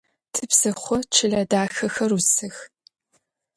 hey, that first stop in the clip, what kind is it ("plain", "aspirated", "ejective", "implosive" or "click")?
aspirated